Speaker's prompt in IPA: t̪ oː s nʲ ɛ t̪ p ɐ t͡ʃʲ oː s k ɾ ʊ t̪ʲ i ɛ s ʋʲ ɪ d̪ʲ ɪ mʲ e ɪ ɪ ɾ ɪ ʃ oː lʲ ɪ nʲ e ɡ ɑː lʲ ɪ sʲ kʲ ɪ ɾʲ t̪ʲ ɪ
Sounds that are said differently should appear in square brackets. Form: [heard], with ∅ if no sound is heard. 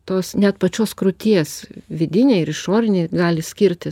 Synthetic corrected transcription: t̪ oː s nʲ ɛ t̪ p ɐ t͡ʃʲ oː s k ɾ ʊ t̪ʲ i ɛ s ʋʲ ɪ d̪ʲ ɪ [nʲ] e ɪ ɪ ɾ ɪ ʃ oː [ɾʲ] ɪ nʲ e ɡ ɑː lʲ ɪ sʲ kʲ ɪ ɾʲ t̪ʲ ɪ